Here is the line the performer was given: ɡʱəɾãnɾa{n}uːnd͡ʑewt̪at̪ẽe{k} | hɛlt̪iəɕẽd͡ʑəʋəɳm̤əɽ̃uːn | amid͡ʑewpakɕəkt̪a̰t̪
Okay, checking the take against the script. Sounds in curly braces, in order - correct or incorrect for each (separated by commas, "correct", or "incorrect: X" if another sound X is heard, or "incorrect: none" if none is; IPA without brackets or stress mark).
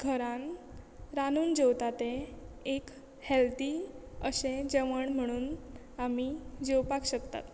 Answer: correct, correct